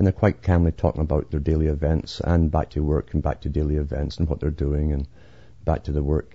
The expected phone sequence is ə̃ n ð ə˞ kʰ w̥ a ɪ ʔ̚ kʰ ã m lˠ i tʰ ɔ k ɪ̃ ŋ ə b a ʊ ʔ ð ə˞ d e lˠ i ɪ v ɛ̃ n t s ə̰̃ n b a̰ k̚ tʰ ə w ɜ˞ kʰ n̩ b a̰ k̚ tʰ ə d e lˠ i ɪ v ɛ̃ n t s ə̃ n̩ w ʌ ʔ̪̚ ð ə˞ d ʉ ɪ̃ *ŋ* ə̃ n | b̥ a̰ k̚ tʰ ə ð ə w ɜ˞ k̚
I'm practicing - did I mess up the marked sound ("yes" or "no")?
no